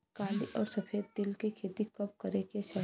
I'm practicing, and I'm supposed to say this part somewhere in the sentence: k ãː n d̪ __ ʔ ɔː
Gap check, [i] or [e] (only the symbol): i